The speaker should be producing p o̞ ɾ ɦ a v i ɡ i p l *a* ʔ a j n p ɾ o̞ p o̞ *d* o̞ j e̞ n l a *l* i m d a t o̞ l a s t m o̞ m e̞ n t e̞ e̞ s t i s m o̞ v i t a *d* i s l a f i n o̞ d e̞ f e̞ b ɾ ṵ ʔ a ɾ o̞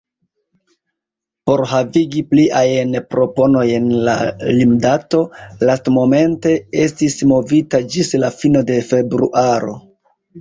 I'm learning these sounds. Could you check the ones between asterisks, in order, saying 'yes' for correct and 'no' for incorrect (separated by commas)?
no, no, yes, no